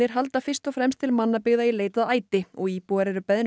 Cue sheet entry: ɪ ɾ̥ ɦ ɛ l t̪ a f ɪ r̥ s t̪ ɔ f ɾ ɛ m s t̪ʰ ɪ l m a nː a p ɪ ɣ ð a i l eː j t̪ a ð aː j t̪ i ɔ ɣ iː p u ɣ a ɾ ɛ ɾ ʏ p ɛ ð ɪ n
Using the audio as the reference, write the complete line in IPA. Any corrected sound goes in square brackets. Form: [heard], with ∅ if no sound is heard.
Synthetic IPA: ɪ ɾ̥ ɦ [a] l t̪ a f ɪ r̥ s t̪ ɔ f ɾ ɛ m s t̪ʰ ɪ l m a nː a p ɪ ɣ ð a i l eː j t̪ a ð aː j t̪ [ɪ] ɔ ɣ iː p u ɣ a ɾ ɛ ɾ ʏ p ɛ ð ɪ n